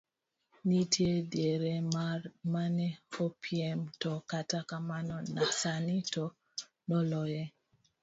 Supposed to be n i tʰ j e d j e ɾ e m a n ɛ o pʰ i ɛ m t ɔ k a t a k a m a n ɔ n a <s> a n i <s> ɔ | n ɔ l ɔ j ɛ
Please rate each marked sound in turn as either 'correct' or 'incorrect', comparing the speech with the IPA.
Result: correct, incorrect: t

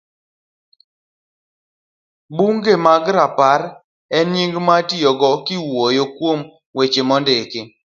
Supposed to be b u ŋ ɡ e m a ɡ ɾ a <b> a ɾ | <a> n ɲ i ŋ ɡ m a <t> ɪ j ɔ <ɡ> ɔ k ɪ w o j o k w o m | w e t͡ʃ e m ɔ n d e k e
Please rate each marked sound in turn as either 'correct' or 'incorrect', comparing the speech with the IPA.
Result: incorrect: p, incorrect: ɛ, correct, correct

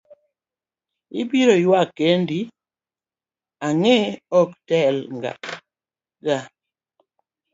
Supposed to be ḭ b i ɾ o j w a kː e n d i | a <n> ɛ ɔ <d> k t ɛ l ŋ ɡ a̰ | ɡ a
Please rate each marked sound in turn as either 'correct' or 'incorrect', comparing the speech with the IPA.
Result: incorrect: ŋ, incorrect: none

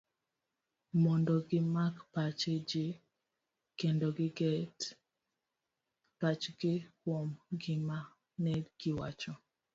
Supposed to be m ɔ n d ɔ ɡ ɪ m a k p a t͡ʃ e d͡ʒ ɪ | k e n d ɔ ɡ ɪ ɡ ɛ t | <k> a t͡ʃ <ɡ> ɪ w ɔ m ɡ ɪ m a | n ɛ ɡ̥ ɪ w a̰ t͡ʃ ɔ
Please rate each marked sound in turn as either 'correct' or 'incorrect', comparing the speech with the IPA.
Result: incorrect: p, correct

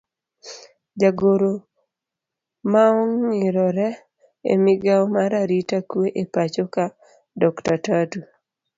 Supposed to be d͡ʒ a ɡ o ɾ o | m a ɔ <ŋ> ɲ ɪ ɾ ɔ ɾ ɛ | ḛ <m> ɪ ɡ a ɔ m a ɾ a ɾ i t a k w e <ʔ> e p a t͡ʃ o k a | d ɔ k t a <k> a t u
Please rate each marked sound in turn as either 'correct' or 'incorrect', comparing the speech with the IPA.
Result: correct, correct, correct, incorrect: t

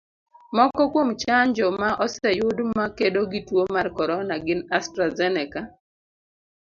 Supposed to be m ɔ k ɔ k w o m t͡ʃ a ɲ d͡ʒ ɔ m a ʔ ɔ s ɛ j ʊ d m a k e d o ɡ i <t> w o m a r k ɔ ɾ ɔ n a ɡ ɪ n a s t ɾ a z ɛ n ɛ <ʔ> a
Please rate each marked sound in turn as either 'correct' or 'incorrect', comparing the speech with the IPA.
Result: correct, incorrect: k

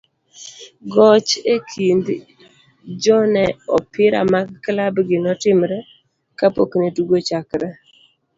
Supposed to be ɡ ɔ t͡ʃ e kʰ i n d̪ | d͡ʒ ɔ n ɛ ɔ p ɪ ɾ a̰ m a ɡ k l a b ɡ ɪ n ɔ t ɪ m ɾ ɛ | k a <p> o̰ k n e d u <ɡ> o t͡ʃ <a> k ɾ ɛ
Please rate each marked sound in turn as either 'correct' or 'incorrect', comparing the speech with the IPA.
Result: correct, correct, correct

